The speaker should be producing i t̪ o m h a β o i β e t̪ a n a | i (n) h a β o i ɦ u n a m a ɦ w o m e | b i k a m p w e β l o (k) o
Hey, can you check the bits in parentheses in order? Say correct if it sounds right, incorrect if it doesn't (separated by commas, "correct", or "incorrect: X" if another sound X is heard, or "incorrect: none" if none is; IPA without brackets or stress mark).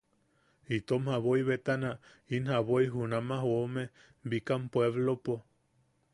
correct, incorrect: p